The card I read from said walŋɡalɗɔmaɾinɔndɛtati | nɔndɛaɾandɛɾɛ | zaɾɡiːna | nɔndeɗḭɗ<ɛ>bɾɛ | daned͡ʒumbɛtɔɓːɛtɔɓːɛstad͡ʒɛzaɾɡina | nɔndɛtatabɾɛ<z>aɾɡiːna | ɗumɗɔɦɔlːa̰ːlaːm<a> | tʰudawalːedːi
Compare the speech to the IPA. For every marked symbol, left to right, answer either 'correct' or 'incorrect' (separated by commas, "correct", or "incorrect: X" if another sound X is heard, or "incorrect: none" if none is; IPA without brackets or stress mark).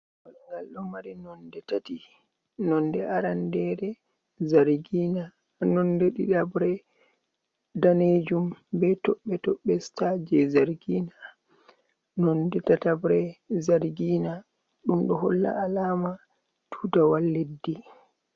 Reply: incorrect: a, correct, correct